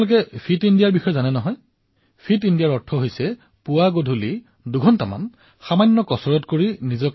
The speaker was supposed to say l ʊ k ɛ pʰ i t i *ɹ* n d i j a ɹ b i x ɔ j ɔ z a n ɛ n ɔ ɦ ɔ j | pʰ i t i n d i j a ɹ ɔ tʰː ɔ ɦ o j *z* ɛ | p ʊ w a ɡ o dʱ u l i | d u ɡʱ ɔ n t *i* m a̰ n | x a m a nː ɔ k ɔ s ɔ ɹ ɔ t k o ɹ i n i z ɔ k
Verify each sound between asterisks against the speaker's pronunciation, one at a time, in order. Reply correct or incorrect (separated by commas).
incorrect, incorrect, incorrect